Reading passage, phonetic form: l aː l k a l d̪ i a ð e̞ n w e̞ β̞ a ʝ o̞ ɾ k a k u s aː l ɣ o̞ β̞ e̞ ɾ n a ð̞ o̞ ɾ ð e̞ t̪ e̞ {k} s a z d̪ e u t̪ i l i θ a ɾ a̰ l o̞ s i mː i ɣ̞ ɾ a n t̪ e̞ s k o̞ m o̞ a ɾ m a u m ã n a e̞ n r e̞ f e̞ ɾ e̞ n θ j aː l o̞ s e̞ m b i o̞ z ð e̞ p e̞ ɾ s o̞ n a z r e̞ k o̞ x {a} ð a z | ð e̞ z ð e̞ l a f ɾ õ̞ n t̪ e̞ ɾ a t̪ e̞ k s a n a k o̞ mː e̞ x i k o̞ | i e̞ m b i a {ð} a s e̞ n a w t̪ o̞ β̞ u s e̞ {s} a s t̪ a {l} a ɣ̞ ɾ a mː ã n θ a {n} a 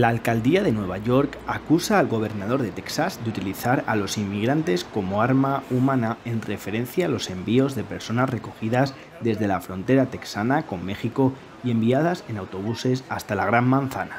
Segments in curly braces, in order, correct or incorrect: correct, incorrect: i, correct, correct, correct, correct

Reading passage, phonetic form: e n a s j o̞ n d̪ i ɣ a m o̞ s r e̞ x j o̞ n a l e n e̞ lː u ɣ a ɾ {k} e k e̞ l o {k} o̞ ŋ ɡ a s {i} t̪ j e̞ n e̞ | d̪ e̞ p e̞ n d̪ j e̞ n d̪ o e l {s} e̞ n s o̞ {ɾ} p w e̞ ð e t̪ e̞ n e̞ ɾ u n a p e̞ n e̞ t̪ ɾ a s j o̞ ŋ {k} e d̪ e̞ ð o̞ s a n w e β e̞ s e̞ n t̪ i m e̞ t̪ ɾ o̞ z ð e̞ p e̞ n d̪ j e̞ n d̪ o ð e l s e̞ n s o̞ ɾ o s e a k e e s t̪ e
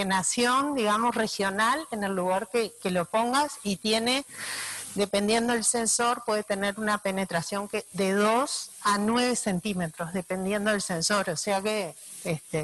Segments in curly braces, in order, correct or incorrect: correct, incorrect: p, correct, correct, correct, correct

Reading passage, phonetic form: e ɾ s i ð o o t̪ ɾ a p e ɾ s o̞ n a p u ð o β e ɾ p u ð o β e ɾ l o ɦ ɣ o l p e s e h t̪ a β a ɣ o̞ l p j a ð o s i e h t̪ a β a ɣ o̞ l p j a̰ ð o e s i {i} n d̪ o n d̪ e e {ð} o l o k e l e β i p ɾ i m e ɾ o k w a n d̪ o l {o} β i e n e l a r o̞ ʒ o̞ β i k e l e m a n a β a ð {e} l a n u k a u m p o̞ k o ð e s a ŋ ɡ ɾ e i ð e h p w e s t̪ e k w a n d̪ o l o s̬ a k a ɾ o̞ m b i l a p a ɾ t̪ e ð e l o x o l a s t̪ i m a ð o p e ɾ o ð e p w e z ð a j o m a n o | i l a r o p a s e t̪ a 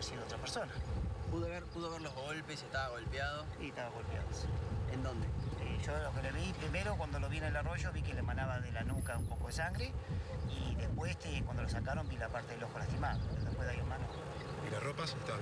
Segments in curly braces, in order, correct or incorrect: incorrect: e, incorrect: ʒ, correct, correct

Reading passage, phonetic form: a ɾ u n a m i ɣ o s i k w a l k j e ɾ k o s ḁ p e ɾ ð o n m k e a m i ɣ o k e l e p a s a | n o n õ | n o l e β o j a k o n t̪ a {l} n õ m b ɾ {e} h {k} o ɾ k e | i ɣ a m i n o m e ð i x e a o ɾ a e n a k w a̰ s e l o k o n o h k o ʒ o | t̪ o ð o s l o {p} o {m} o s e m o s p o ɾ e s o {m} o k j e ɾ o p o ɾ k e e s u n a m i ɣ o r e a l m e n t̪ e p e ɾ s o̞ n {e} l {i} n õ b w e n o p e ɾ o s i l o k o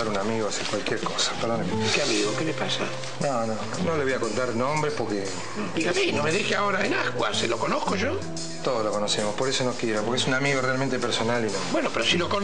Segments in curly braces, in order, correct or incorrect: incorrect: ɾ, correct, incorrect: p, incorrect: k, incorrect: n, incorrect: n, incorrect: a, correct

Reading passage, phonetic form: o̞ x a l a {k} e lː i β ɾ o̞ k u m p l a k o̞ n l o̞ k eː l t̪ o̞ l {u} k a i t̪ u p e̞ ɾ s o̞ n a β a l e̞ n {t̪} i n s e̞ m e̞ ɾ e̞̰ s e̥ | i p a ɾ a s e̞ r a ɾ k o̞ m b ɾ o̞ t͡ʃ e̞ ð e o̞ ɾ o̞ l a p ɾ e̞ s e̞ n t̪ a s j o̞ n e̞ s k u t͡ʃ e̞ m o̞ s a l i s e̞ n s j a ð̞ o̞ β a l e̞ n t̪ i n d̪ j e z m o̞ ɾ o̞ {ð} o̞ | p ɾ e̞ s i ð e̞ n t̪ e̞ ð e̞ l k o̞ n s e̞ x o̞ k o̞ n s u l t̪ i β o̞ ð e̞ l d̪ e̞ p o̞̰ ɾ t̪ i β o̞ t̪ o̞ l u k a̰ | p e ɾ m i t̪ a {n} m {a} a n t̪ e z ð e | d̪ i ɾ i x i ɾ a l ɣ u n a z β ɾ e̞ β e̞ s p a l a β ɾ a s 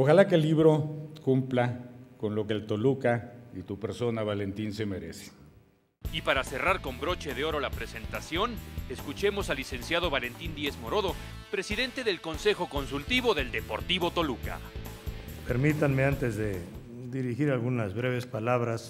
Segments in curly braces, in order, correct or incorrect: correct, correct, correct, correct, correct, incorrect: e

